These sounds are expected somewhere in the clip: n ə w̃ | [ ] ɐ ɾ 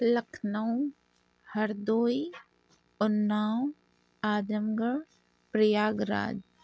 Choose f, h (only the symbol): h